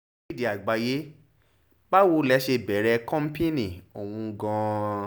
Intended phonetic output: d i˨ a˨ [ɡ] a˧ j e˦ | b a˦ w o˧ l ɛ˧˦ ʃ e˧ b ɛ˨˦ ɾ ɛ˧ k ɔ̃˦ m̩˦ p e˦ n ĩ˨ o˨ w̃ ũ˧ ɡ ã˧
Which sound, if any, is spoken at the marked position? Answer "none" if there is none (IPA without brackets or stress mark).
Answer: ɡ͡b